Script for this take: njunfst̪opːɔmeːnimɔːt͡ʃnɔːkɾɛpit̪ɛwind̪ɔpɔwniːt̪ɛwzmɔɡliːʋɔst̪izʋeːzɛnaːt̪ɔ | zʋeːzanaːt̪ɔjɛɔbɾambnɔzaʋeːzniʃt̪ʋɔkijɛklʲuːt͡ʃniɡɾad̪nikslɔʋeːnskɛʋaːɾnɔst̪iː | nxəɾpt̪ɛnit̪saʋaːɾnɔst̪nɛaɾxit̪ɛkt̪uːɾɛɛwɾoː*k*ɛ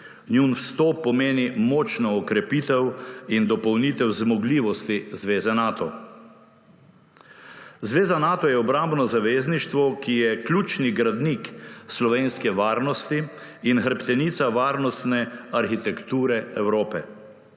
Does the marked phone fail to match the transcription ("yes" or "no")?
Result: yes